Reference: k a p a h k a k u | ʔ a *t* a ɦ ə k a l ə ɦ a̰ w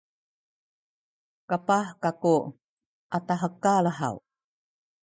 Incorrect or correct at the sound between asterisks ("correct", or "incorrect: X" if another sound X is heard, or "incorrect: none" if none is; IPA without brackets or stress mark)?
correct